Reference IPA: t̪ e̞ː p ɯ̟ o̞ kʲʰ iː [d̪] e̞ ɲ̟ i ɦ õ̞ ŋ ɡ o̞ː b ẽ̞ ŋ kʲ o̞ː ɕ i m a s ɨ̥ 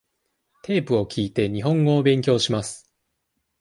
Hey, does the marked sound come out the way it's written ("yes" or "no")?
no